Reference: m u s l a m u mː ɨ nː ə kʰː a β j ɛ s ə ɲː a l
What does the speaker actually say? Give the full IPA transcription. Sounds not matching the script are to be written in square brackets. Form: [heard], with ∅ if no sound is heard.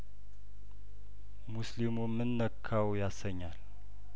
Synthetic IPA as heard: m u s l [i] m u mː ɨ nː ə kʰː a [w] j [a] s ə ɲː a l